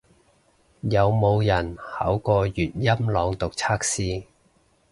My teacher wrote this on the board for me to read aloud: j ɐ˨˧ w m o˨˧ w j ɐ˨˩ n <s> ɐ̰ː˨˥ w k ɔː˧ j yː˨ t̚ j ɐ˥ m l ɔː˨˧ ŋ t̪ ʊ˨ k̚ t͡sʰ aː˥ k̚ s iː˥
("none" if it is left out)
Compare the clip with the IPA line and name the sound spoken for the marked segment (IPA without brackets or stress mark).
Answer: h